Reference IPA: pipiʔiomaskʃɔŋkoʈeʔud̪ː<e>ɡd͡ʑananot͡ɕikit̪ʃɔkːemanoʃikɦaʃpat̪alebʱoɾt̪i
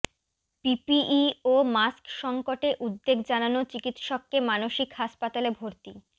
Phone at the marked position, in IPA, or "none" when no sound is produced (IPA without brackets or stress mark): e